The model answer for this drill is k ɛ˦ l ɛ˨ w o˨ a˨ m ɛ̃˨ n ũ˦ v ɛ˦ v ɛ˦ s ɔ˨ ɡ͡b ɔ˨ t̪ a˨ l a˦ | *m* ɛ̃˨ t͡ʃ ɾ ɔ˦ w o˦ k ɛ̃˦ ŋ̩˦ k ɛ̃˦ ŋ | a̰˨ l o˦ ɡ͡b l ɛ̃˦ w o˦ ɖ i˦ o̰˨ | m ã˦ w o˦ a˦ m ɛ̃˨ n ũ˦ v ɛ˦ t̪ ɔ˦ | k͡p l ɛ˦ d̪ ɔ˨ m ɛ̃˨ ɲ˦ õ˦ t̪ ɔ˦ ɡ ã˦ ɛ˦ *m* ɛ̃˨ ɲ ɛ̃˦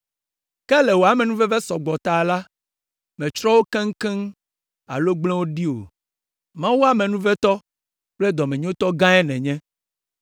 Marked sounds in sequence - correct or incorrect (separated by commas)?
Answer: correct, incorrect